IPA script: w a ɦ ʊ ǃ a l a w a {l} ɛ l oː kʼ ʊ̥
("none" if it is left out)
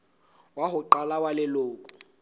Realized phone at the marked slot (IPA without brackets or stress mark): l